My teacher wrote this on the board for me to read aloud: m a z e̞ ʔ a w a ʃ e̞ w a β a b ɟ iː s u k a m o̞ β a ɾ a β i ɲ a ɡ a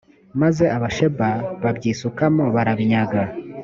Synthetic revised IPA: m a z e̞ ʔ a β a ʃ e̞ b a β a b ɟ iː s u k a m o̞ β a ɾ a β i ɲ a ɡ a